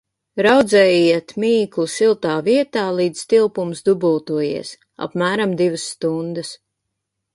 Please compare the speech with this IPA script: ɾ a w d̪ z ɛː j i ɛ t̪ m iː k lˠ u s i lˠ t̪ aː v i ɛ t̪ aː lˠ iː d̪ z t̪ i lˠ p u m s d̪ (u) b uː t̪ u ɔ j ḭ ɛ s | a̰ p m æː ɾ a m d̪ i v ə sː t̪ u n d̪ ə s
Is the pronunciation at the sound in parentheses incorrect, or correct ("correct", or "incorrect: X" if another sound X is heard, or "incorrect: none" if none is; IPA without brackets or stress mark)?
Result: correct